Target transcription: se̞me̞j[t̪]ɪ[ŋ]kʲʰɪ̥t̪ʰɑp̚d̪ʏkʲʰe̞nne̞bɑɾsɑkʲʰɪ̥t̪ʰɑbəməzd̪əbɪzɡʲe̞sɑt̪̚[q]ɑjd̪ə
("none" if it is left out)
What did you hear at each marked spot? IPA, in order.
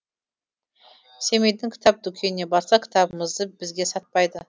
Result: d̪, ŋ, p

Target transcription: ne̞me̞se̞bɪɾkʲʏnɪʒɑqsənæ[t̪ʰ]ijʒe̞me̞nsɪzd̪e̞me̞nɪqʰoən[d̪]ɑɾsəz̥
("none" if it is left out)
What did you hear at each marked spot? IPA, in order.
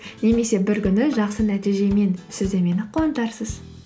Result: t̪, t̪

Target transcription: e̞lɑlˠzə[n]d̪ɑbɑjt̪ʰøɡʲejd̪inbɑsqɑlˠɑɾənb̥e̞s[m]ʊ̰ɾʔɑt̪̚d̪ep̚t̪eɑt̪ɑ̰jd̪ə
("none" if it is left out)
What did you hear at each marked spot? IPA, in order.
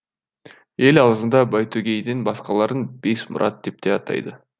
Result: n, m

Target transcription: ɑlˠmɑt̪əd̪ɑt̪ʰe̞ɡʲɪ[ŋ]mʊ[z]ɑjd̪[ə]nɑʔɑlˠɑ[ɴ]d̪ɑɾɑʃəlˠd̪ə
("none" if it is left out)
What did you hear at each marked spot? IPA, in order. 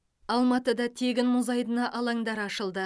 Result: n, z, ə, ŋ

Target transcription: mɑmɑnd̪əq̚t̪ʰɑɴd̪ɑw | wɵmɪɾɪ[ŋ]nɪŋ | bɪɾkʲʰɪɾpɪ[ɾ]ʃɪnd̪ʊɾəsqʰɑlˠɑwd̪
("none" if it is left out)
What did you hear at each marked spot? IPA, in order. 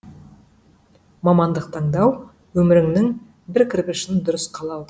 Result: ŋ, none

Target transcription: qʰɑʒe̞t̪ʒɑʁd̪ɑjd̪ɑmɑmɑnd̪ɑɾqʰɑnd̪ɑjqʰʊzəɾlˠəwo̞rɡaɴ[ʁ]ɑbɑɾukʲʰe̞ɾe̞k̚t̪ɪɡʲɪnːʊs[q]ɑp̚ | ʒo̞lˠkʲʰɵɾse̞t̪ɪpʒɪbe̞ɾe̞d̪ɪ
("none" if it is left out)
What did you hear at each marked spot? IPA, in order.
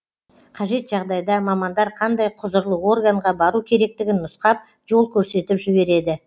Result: ʁ, q

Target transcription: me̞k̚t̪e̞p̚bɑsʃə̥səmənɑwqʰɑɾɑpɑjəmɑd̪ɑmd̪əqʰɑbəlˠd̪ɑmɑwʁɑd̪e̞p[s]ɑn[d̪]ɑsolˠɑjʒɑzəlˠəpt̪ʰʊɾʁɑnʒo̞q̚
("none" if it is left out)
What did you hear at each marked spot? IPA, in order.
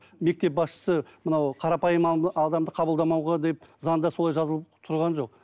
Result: z, d̪

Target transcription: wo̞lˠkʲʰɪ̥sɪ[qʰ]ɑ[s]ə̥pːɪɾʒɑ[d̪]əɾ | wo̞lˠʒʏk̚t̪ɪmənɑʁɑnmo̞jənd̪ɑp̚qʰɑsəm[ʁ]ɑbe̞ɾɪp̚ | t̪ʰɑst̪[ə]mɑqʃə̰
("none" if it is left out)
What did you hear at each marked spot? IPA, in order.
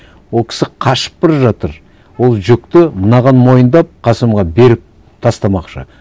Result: qʰ, ʃ, t̪, ʁ, ɑ

